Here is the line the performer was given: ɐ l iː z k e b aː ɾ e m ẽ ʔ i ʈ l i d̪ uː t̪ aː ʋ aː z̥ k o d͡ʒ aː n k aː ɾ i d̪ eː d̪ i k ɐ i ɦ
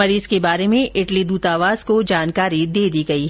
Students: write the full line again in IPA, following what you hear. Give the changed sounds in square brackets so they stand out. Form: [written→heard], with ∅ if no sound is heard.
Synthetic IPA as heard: ɐ [l→ɾ] iː z k e b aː ɾ e m ẽ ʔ [i→ɪ] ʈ l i d̪ uː t̪ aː ʋ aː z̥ k o d͡ʒ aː n k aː ɾ i d̪ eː d̪ i [k→ɡ] ɐ i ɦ